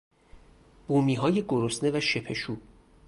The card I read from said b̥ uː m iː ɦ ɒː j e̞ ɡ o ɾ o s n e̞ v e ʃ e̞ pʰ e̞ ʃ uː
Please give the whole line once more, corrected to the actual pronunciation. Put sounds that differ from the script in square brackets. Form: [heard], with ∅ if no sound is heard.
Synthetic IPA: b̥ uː m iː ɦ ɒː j e̞ ɡ o ɾ o s n e̞ v [æ] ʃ e̞ pʰ e̞ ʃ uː